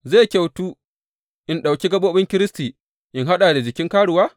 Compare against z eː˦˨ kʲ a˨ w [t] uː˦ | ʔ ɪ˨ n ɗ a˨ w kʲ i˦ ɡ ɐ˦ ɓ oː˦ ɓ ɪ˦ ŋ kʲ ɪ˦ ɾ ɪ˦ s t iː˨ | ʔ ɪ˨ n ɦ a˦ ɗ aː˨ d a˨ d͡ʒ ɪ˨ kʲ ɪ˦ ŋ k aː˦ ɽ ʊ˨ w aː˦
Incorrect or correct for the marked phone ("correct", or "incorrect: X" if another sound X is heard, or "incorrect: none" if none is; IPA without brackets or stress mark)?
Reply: correct